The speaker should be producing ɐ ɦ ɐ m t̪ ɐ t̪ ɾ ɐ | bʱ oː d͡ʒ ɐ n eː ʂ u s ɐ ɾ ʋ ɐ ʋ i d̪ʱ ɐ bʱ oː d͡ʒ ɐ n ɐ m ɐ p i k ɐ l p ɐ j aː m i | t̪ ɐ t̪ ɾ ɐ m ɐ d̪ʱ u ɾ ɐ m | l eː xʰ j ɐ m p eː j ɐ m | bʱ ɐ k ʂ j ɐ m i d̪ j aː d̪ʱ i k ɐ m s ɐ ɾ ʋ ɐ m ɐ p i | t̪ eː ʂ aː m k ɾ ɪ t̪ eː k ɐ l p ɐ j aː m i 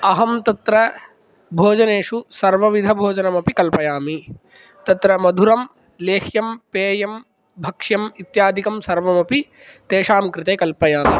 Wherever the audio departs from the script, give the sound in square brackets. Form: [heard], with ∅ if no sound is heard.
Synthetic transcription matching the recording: ɐ ɦ ɐ m t̪ ɐ t̪ ɾ ɐ | bʱ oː d͡ʒ ɐ n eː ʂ u s ɐ ɾ ʋ ɐ ʋ i d̪ʱ ɐ bʱ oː d͡ʒ ɐ n ɐ m ɐ p i k ɐ l p ɐ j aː m i | t̪ ɐ t̪ ɾ ɐ m ɐ d̪ʱ u ɾ ɐ m | l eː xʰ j ɐ m p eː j ɐ m | bʱ ɐ k ʂ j ɐ m i [t̪] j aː d̪ʱ i k ɐ m s ɐ ɾ ʋ ɐ m ɐ p i | t̪ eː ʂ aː m k ɾ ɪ t̪ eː k ɐ l p ɐ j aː m i